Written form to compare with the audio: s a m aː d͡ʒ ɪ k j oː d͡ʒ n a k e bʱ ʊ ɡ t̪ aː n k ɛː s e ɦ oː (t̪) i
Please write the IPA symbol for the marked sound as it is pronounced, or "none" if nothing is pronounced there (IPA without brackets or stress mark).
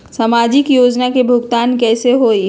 none